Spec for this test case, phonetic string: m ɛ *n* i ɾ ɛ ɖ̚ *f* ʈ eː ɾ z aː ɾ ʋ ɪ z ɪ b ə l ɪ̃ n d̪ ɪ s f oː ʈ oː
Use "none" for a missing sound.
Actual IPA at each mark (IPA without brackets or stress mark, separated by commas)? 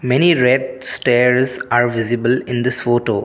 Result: n, s